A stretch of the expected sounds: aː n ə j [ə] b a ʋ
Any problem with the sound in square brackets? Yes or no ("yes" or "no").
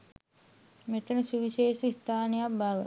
yes